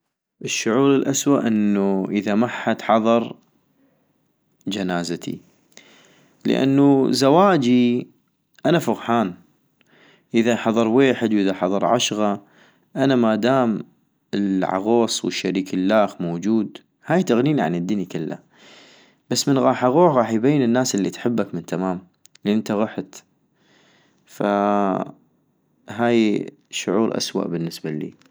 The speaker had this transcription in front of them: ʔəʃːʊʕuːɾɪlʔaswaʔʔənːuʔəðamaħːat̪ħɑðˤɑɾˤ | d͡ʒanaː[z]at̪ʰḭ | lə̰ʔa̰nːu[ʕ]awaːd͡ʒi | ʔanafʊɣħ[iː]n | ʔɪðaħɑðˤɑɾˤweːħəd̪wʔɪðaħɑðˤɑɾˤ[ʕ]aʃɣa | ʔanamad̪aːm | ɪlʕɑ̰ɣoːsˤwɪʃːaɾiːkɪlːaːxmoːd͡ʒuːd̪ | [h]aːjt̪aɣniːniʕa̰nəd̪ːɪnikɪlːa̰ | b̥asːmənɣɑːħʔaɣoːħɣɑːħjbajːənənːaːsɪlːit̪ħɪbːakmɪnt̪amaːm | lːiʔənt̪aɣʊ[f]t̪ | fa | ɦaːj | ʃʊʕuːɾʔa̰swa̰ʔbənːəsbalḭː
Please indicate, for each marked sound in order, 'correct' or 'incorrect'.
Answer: correct, incorrect, incorrect, correct, correct, incorrect

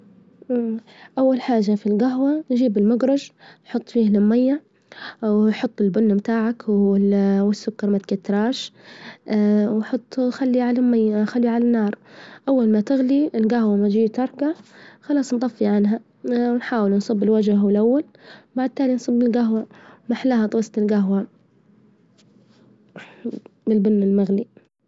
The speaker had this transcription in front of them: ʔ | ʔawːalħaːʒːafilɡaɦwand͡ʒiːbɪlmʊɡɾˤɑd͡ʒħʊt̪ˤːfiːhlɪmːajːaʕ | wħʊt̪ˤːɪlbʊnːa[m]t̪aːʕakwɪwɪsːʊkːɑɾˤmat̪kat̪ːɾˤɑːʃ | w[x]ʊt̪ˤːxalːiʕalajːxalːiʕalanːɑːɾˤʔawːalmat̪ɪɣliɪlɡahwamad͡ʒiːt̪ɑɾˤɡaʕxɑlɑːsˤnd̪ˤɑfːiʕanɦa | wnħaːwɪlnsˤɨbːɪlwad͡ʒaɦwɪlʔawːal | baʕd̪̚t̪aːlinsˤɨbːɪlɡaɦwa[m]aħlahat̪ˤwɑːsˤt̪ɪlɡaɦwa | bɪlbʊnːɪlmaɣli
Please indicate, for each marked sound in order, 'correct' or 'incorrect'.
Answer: correct, incorrect, correct

